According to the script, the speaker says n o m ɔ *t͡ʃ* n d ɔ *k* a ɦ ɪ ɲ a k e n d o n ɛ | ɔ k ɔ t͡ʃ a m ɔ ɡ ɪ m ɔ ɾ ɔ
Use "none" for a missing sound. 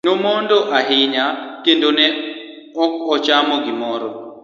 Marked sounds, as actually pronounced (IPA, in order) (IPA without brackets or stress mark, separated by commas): none, ʔ